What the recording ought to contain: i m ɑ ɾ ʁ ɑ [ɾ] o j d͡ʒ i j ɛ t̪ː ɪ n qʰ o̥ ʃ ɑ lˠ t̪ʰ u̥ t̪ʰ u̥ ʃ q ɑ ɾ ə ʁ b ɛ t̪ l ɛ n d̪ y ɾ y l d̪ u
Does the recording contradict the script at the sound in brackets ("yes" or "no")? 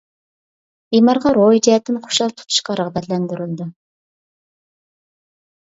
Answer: no